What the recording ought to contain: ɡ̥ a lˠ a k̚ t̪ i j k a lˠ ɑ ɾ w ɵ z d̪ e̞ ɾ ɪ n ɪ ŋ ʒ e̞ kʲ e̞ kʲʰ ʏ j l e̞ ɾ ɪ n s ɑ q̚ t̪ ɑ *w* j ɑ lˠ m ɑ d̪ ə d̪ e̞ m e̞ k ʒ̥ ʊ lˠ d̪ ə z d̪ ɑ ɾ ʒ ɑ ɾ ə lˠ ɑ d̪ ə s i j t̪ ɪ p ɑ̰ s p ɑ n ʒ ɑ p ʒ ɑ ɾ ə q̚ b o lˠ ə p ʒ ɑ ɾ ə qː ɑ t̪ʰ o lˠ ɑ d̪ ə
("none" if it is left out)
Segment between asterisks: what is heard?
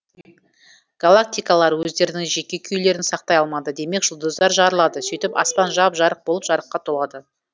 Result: none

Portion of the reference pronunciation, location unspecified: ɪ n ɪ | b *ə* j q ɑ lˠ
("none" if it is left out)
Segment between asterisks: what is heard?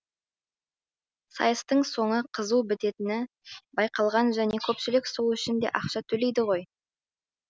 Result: ɑ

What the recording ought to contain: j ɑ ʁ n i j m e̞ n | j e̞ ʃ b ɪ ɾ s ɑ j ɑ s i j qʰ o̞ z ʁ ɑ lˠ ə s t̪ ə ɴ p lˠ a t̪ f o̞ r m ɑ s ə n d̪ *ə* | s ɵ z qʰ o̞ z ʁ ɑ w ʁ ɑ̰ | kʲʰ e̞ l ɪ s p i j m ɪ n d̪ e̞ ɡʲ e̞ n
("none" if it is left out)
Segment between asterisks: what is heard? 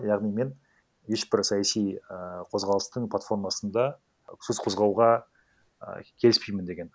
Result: ɑ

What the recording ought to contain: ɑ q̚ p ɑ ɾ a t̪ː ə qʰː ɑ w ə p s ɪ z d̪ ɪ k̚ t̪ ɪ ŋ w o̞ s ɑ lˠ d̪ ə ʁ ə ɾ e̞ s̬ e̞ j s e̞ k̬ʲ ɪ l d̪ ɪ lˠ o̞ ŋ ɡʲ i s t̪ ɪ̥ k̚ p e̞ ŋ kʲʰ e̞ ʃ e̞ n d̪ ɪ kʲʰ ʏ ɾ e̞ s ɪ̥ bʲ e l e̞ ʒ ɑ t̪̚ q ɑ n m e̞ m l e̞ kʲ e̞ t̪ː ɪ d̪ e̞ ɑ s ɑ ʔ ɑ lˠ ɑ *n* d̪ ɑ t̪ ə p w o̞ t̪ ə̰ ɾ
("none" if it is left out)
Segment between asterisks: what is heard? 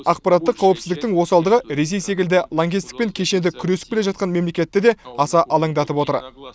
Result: ŋ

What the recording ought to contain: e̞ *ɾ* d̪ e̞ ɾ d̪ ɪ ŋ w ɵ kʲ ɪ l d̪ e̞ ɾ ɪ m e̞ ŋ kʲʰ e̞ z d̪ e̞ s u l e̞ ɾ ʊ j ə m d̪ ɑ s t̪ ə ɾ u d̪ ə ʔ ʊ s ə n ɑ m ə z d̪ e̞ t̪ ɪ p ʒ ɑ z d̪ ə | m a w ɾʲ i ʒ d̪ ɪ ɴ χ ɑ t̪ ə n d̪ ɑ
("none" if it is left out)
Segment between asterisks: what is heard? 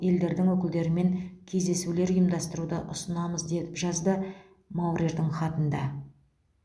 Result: l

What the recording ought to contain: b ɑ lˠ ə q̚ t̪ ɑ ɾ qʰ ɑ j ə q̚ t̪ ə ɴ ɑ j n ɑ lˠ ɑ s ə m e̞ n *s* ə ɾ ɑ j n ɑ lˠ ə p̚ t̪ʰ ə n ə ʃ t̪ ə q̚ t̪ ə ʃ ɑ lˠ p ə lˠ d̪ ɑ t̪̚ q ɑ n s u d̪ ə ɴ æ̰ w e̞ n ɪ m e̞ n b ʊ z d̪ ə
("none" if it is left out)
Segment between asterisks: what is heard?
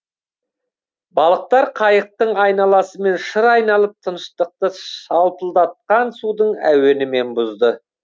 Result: ʃ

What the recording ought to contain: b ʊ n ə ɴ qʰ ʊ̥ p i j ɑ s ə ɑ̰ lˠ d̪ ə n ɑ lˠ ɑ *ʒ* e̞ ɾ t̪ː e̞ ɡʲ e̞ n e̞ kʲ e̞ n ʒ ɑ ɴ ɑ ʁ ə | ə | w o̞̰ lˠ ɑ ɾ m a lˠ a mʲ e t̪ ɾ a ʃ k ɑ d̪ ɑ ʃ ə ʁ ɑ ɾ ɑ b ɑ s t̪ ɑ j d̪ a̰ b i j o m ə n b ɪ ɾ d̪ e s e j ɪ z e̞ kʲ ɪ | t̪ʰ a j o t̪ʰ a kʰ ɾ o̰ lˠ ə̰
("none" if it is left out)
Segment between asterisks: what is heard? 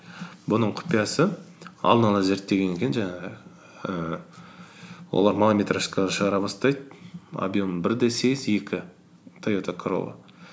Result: z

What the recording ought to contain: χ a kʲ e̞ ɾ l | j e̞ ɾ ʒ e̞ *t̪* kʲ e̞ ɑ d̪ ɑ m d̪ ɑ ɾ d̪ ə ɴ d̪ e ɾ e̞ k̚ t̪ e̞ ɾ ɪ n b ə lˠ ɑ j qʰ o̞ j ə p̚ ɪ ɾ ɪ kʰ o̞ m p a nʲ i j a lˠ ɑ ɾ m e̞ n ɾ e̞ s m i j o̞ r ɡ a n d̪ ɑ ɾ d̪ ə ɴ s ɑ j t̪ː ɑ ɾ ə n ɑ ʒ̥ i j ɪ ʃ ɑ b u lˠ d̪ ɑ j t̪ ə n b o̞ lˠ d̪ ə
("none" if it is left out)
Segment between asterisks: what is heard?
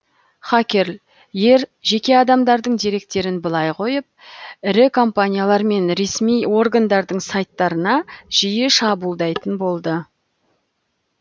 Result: none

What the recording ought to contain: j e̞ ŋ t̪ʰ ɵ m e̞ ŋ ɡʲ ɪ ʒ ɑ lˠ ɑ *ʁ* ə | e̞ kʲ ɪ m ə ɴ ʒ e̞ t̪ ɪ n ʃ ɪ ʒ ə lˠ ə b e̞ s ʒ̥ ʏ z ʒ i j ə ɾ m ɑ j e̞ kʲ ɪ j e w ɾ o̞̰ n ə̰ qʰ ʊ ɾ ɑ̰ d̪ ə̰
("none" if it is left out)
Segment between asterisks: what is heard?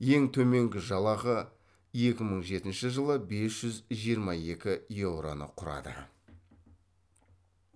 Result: ʁ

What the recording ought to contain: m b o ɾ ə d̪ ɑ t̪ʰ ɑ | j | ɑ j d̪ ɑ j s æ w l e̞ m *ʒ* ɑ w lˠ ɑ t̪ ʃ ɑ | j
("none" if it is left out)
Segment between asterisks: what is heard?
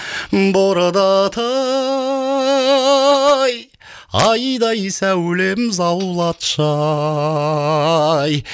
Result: z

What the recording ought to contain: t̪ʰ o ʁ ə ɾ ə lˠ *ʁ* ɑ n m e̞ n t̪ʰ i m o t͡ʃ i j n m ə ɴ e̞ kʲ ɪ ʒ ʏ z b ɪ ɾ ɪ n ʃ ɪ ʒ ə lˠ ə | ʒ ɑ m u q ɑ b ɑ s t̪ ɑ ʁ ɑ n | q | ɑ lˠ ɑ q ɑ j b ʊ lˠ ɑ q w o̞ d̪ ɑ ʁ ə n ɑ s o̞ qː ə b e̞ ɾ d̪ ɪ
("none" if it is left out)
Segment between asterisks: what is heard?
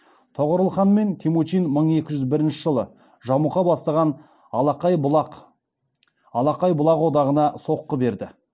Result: χ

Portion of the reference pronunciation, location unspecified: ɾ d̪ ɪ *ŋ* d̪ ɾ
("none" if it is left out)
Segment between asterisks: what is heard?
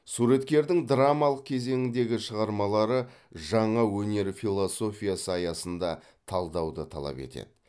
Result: ŋ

